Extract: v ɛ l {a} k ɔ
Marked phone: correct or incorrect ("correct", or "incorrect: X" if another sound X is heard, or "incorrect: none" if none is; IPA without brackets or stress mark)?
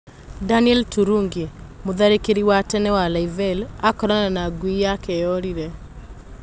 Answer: correct